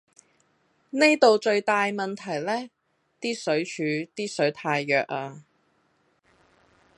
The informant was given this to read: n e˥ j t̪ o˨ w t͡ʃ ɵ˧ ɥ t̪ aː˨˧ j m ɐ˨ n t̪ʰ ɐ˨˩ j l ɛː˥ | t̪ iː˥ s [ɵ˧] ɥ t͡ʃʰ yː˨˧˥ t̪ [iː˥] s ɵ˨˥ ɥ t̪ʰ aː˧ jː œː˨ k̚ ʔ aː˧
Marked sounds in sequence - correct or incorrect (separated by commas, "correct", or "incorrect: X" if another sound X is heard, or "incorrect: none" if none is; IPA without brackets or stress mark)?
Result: incorrect: ɵ˨˥, correct